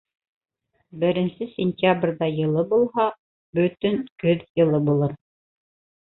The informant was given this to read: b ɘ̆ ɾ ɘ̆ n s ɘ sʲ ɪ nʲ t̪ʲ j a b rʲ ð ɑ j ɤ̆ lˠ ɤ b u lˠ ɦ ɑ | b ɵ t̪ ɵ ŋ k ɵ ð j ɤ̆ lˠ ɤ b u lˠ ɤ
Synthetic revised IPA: b ɘ̆ ɾ ɘ̆ n s ɘ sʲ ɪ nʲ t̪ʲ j a b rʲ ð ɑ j ɤ̆ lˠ ɤ b u lˠ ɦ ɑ | b ɵ t̪ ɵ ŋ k ɵ ð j ɤ̆ lˠ ɤ b u lˠ ɤ